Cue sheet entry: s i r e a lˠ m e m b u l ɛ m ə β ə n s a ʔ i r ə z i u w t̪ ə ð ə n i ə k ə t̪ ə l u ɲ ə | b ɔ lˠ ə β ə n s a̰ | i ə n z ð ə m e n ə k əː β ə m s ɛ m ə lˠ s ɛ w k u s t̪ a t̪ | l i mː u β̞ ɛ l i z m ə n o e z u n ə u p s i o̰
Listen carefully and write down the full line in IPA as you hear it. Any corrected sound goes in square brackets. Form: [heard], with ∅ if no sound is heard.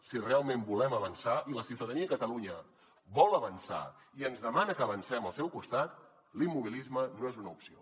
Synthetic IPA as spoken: s i r e a lˠ m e m b u l ɛ m ə β ə n s a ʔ i [l] ə [s] i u w t̪ ə ð ə n i ə k ə t̪ ə l u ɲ ə | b ɔ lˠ ə β ə n s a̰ | i ə n z ð ə m [a] n ə k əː β ə [n] s ɛ m ə lˠ s ɛ w k u s t̪ a t̪ | l i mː u β̞ [i] l i z m ə n o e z u n ə u p s i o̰